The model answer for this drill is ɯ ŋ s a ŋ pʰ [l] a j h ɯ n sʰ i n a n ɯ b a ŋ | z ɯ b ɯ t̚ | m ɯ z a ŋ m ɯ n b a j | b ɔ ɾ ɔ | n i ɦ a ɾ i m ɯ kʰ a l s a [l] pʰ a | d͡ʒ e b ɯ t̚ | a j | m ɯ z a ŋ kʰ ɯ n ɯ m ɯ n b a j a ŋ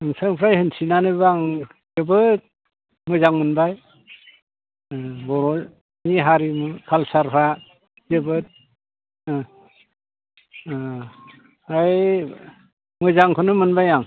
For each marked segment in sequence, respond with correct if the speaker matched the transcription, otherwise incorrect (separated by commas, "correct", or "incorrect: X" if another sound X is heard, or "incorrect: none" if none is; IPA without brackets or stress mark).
incorrect: ɾ, incorrect: ɾ